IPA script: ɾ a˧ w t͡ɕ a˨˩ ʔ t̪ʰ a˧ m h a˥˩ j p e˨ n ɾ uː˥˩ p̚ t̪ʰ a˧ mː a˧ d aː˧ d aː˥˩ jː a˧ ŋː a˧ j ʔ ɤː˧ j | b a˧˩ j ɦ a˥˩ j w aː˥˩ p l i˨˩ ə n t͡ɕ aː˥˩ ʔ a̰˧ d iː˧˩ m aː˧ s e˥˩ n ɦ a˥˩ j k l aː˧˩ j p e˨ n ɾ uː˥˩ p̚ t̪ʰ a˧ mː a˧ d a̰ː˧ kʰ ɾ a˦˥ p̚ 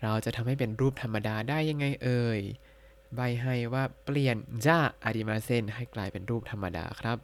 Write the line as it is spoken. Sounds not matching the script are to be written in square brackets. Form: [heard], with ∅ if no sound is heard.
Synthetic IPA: ɾ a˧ w t͡ɕ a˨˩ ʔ t̪ʰ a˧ m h a˥˩ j p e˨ n ɾ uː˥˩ p̚ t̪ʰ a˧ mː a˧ d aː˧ d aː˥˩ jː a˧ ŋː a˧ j ʔ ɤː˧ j | b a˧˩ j ɦ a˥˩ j w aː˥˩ p l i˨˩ ə n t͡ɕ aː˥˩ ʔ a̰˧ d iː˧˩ m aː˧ s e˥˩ n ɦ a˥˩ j k l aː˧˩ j p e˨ n ɾ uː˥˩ p̚ t̪ʰ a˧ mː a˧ d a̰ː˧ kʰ ɾ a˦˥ p̚